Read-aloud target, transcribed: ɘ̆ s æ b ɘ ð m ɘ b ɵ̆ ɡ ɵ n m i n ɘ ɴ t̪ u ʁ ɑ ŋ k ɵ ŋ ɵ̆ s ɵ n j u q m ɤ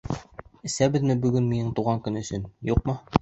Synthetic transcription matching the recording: ɘ̆ s æ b ɘ ð m ɘ b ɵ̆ ɡ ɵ n m i n ɘ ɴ t̪ u ʁ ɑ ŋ k ɵ n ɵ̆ s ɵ n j u q m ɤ

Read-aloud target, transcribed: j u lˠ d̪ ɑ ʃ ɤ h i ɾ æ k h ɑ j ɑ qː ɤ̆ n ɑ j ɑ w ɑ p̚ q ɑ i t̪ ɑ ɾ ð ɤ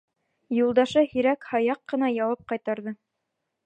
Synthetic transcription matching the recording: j u lˠ d̪ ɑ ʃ ɤ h i ɾ æ k h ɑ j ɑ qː ɤ̆ n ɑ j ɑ w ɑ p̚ q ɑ j t̪ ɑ ɾ ð ɤ

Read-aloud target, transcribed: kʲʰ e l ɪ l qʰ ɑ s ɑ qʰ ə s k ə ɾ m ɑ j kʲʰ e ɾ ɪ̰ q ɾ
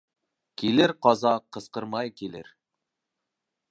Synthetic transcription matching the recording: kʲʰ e l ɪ ɾ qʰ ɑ z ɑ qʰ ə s q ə ɾ m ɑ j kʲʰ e l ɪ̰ ɾ

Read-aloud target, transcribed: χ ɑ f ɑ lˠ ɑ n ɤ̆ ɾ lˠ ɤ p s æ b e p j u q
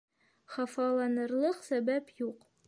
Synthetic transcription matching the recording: χ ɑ f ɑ lˠ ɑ n ɤ̆ ɾ lˠ ɤ q s æ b æ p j u q

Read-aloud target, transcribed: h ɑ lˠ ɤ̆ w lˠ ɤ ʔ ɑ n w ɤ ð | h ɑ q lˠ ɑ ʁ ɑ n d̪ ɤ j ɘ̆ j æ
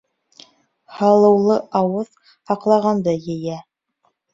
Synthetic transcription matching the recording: h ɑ lˠ ɤ̆ w lˠ ɤ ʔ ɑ w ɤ ð | h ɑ q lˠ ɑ ʁ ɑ n d̪ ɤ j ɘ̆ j æ

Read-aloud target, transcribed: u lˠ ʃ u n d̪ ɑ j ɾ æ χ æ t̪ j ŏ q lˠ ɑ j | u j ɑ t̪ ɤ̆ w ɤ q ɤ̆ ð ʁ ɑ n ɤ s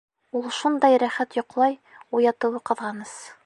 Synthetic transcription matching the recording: u lˠ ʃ u n d̪ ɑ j ɾ æ χ æ t̪ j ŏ q lˠ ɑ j | u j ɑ t̪ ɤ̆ w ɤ q ɤ̆ ð ʁ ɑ n ɤ s

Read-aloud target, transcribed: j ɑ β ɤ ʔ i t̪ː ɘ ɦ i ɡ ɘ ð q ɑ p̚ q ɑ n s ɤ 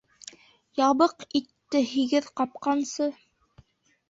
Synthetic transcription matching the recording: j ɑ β ɤ q i t̪ː ɘ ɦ i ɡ ɘ ð q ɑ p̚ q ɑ n s ɤ

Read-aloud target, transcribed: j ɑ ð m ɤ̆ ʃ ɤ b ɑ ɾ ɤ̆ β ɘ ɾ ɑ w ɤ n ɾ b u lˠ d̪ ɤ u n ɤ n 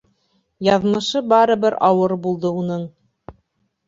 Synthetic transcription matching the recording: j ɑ ð m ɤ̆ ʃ ɤ b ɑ ɾ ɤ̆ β ɘ ɾ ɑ w ɤ ɾ b u lˠ d̪ ɤ u n ɤ ɴ

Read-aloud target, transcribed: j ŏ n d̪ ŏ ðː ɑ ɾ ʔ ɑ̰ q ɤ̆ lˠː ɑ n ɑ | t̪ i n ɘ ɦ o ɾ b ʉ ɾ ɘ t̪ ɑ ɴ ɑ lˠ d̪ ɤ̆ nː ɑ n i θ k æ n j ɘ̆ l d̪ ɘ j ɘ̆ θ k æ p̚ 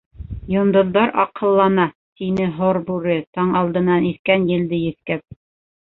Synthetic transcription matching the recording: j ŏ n d̪ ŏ ðː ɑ ɾ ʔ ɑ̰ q ɤ̆ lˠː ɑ n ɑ | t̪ i n ɘ ɦ o ɾ b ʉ ɾ ɘ t̪ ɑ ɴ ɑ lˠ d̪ ɤ̆ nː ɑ n i θ k æ n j ɘ̆ l d̪ ɘ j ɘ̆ θ k æ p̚

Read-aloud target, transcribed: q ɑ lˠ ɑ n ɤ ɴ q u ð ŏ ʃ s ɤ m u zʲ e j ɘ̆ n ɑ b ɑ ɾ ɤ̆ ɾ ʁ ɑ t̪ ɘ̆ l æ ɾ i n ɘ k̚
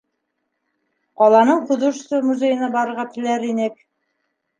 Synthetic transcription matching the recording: q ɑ lˠ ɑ n ɤ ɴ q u ð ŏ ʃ s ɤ m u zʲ e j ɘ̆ n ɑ b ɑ ɾ ɤ̆ ɾ ʁ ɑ t̪ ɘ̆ l æ ɾ i n ɘ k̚

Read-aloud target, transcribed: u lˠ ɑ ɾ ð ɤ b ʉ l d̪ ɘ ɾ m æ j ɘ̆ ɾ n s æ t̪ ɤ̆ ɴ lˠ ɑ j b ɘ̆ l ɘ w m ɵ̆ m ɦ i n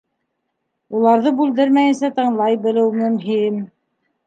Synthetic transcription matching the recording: u lˠ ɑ ɾ ð ɤ b ʉ l d̪ ɘ ɾ m æ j ɘ̆ n s æ t̪ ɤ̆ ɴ lˠ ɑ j b ɘ̆ l ɘ w m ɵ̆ m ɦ i m

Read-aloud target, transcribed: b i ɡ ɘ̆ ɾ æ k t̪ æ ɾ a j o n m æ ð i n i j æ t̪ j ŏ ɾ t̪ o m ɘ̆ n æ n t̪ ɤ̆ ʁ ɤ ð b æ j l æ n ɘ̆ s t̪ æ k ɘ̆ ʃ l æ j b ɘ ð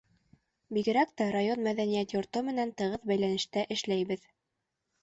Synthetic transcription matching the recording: b i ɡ ɘ̆ ɾ æ k t̪ æ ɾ a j o n m æ ð æ n i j æ t̪ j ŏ ɾ t̪ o m ɘ̆ n æ n t̪ ɤ̆ ʁ ɤ ð b æ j l æ n ɘ̆ ʃ t̪ æ ʔ ɘ̆ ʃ l æ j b ɘ ð

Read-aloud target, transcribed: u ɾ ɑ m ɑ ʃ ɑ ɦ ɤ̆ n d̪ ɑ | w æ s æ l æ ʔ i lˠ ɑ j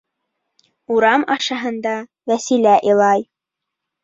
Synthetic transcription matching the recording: u ɾ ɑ m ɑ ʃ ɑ ɦ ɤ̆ n d̪ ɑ | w æ s i l æ ʔ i lˠ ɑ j

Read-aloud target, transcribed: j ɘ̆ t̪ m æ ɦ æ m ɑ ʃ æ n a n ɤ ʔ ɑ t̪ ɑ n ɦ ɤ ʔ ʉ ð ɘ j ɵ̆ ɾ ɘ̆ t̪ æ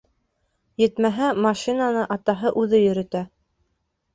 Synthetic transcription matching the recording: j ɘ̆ t̪ m æ ɦ æ m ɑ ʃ i n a n ɤ ʔ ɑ t̪ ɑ ɦ ɤ ʔ ʉ ð ɘ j ɵ̆ ɾ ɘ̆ t̪ æ

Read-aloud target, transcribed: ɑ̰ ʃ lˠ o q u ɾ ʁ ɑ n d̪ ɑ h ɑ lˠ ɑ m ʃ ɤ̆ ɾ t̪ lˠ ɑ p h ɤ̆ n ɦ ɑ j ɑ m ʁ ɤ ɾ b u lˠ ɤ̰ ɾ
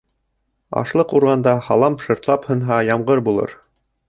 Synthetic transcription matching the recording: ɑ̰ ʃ lˠ ɤ q u ɾ ʁ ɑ n d̪ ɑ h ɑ lˠ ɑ m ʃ ɤ̆ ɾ t̪ lˠ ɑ p h ɤ̆ n ɦ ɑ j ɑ m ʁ ɤ ɾ b u lˠ ɤ̰ ɾ

